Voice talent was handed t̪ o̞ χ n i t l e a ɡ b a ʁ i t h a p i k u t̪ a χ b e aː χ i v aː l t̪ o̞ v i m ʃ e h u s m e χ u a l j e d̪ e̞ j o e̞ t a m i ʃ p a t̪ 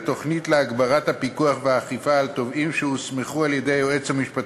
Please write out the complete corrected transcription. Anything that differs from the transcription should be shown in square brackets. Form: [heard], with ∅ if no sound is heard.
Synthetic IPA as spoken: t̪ o̞ χ n i t l e a ɡ b a ʁ [a] t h a p i k u [∅] a χ [v] e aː χ i [f] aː l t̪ o̞ v i m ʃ e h u s m e χ u a l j e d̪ e̞ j o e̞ [t͡s] a m i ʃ p a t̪